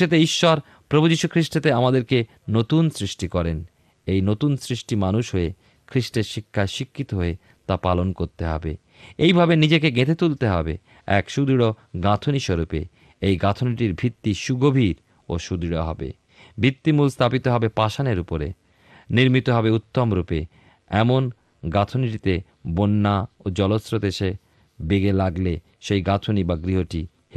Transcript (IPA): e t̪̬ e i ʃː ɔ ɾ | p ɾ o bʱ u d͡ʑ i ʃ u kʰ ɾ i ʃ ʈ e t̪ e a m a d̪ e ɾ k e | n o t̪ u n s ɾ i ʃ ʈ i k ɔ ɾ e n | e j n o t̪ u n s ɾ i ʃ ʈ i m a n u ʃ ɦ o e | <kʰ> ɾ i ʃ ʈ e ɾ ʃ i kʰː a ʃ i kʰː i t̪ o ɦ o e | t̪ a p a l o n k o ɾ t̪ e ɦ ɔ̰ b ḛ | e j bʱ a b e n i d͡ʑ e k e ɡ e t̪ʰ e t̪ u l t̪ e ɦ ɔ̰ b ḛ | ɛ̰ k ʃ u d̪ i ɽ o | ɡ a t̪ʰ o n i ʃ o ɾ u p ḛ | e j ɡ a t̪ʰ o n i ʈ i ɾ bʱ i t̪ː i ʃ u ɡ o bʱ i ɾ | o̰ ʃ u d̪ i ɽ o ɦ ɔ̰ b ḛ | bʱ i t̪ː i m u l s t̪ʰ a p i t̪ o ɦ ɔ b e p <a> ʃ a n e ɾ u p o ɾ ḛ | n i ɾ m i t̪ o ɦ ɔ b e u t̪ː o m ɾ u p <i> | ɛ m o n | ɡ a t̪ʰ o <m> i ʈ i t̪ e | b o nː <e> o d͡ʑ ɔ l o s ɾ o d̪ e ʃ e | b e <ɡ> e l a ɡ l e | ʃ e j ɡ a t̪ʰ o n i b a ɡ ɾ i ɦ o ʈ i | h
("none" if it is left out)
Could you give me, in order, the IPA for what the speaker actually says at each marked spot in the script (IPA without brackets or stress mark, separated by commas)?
kʰ, a, e, n, a, ɡ